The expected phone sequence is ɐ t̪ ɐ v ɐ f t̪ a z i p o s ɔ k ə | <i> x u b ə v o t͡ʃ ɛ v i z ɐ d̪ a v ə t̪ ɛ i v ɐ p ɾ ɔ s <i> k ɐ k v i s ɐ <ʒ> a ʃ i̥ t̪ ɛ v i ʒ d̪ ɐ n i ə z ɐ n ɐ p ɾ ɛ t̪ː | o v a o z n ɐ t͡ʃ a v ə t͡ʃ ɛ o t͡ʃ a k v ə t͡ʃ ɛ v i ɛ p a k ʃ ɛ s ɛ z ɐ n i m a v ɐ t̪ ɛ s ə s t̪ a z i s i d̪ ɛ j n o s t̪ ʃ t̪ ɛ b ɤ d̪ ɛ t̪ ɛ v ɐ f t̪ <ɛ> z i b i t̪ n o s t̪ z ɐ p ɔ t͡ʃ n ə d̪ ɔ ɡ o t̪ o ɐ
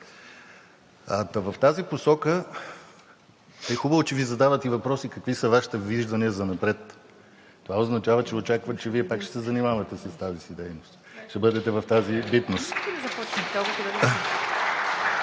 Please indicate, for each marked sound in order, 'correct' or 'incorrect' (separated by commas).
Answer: incorrect, correct, incorrect, incorrect